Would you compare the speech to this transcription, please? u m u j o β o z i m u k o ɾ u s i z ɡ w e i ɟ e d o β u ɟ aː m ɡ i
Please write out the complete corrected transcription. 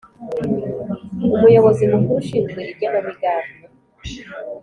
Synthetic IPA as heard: u m u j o β o z i m u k u ɾ u ʃ i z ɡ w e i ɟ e n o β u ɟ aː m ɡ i